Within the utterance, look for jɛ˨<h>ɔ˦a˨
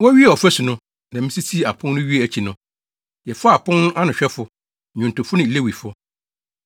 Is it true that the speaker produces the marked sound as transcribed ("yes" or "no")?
no